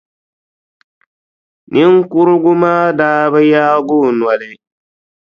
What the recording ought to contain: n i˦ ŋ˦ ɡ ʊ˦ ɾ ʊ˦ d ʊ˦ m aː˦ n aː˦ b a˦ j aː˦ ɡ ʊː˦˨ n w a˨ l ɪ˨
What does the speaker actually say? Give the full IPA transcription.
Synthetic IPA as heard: n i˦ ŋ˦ k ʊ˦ ɾ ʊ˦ ɡ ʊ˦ m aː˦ d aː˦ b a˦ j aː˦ ɡ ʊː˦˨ n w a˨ l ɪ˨